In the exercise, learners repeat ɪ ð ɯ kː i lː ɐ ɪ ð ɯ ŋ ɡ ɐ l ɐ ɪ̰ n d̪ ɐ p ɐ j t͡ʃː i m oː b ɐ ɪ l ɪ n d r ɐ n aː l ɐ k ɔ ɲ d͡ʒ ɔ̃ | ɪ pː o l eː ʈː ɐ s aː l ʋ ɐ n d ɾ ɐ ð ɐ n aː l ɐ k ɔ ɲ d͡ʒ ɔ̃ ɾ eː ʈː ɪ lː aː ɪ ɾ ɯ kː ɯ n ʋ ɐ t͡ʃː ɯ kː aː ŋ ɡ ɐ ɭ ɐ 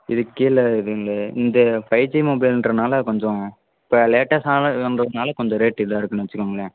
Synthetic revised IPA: ɪ ð ɯ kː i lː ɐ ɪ ð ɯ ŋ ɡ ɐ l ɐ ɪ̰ n d̪ ɐ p ɐ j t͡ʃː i m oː b ɐ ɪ l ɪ n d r ɐ n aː l ɐ k ɔ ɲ d͡ʒ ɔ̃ | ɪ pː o l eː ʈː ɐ s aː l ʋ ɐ n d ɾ ɐ ð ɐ n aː l ɐ k ɔ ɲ d͡ʒ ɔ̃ ɾ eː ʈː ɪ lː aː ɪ ɾ ɯ kː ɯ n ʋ ɐ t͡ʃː ɯ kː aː ŋ ɡ ɐ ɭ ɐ